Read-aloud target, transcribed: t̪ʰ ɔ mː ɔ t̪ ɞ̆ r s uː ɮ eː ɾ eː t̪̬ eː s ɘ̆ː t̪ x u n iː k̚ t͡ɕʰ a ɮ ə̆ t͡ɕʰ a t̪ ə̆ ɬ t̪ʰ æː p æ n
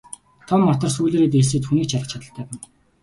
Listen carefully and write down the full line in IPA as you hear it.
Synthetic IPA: t̪ʰ ɔ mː ɔ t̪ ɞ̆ r s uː ɮ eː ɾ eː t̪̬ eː s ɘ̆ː t̪ x u n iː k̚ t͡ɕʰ a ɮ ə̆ t͡ɕʰ a t̪ ə̆ ɬ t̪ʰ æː p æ n